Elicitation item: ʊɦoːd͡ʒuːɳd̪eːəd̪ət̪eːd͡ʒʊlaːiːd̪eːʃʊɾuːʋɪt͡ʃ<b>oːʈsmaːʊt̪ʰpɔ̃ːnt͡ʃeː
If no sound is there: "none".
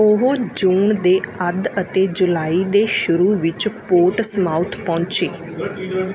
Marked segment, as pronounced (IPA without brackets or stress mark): p